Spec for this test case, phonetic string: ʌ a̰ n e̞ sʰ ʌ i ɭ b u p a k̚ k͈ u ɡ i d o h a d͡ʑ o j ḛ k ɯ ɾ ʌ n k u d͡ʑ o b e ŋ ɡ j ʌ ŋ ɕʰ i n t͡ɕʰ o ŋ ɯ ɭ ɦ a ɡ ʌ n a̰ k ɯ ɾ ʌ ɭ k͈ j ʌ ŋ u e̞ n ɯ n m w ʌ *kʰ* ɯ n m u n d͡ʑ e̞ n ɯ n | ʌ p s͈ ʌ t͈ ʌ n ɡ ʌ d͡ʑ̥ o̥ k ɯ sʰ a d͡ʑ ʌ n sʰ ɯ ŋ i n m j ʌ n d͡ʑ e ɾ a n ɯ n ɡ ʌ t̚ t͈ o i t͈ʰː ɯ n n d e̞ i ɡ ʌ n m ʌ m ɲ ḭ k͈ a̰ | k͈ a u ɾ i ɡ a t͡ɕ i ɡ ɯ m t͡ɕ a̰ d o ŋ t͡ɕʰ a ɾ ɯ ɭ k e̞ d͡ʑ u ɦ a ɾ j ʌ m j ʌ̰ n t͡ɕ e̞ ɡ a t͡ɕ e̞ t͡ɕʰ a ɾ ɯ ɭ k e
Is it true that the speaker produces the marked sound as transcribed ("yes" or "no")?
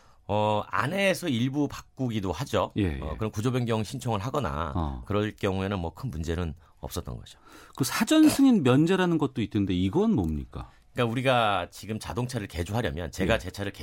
yes